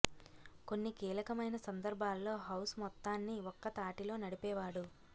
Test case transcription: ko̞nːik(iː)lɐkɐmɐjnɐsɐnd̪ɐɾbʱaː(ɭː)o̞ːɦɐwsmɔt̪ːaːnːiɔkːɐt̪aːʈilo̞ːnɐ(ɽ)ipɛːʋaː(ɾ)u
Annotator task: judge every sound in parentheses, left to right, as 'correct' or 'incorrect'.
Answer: correct, incorrect, correct, incorrect

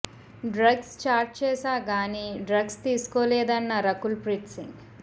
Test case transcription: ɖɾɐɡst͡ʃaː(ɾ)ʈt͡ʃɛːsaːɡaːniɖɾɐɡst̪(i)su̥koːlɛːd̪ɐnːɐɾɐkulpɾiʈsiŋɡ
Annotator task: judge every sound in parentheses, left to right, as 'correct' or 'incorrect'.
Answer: correct, incorrect

